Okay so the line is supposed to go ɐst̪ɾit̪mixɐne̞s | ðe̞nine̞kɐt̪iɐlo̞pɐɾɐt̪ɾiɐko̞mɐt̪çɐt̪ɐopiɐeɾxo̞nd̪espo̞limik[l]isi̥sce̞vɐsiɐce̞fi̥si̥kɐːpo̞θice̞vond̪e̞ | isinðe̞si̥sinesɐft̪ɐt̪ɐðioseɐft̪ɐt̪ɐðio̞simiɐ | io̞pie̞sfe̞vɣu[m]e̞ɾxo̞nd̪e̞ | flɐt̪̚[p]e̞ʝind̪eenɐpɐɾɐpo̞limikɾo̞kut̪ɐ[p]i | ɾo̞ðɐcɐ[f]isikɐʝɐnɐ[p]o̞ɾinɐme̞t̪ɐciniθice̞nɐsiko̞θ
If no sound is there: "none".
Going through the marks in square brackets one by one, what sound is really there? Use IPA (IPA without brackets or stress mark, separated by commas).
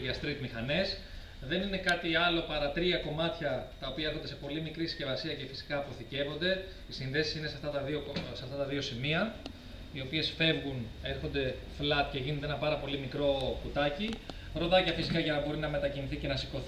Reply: ɾ, n, c, c, f, b